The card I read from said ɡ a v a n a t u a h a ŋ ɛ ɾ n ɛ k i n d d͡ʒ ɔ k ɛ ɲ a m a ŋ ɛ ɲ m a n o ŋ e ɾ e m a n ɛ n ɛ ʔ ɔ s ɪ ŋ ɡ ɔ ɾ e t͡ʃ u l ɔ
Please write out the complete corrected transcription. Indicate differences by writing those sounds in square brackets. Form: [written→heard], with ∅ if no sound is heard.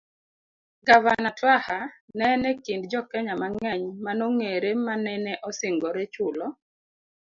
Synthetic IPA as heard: ɡ a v a n a t [u→w] a h a [ŋ→n] ɛ [ɾ→∅] n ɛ k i n d d͡ʒ ɔ k ɛ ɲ a m a ŋ ɛ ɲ m a n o ŋ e ɾ e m a n ɛ n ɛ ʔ ɔ s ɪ ŋ ɡ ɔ ɾ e t͡ʃ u l ɔ